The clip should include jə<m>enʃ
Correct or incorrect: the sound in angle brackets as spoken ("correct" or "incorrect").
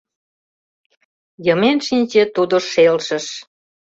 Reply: correct